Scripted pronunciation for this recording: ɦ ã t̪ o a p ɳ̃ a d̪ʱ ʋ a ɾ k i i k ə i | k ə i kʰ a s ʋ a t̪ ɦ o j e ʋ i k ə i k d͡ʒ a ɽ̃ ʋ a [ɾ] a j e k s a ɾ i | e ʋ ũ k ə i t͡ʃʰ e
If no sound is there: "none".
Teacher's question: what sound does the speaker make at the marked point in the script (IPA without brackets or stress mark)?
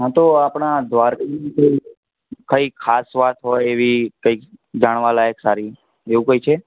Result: l